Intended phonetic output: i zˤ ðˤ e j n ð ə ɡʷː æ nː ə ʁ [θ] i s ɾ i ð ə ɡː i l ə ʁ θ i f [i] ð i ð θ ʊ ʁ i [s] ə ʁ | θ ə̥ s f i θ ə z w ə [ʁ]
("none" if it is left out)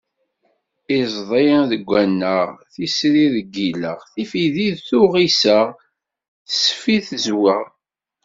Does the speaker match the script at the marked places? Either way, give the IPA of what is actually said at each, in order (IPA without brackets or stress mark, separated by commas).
θ, i, s, ʁ